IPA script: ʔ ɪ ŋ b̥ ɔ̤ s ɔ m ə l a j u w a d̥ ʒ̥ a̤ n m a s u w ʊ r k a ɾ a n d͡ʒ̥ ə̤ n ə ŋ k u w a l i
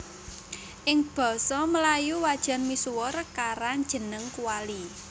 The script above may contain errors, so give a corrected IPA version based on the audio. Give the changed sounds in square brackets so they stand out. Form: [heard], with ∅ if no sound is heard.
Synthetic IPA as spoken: ʔ ɪ ŋ b̥ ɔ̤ s ɔ m ə l a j u w a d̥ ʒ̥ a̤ n m [i] s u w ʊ r k a ɾ a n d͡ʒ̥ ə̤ n ə ŋ k u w a l i